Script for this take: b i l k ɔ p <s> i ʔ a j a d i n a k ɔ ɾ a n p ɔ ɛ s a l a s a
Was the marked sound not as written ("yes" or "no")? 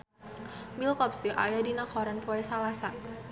no